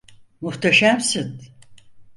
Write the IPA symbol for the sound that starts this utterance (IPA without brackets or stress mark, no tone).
m